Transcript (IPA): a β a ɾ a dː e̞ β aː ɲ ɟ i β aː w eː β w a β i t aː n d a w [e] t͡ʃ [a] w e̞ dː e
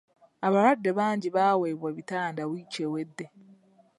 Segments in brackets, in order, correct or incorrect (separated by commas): incorrect, incorrect